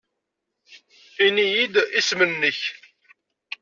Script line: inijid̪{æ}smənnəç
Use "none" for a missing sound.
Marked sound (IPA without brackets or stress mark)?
i